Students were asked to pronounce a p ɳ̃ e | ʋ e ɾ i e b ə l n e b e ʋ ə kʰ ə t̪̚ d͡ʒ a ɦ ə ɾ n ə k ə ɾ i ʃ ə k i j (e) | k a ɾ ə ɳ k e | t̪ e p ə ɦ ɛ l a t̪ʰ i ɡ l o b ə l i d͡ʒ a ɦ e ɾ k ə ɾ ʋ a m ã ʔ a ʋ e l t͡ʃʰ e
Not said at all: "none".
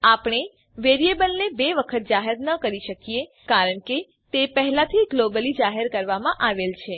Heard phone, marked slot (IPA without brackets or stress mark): e